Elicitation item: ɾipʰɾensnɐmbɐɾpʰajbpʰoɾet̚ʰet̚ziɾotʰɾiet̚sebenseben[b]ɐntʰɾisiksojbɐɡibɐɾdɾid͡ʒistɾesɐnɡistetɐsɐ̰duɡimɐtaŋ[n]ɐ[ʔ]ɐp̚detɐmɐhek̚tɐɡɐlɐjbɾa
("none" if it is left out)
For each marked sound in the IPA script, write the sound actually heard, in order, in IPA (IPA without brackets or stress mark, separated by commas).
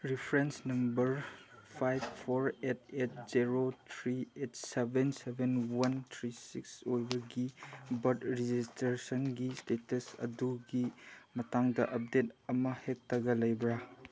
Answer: w, d, ʔ